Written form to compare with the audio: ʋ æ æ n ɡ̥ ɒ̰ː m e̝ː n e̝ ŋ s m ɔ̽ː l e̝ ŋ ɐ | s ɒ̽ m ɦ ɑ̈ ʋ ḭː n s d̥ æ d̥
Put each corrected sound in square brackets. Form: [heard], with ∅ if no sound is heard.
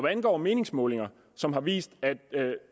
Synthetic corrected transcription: ʋ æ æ n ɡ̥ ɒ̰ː m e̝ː n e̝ ŋ s m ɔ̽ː l e̝ ŋ ɐ | s ɒ̽ m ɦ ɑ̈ ʋ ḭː [∅] s d̥ æ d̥